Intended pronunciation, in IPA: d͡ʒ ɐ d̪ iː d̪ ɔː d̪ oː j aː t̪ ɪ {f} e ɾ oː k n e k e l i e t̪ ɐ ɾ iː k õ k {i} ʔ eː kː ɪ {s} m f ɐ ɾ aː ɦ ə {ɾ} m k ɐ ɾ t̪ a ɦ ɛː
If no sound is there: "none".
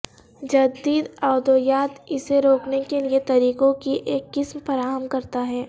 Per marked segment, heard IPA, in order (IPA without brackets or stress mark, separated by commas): s, i, s, none